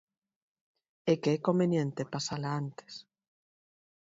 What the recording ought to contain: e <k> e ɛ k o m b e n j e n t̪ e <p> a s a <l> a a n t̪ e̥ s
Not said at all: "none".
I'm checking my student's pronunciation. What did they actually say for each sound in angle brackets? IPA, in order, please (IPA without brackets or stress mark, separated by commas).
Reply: k, p, l